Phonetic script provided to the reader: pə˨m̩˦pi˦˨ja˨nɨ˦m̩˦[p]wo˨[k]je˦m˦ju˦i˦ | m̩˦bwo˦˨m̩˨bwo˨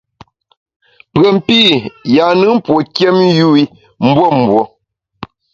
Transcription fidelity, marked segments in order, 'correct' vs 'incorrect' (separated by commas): correct, correct